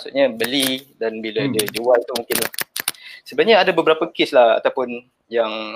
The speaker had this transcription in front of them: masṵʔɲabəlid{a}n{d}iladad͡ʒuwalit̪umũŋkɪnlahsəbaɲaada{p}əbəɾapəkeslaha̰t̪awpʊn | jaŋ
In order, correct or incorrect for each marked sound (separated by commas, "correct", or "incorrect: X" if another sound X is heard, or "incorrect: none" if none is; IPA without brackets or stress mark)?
correct, incorrect: b, incorrect: b